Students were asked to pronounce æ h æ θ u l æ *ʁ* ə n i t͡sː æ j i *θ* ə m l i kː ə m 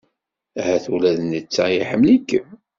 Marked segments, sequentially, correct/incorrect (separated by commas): incorrect, incorrect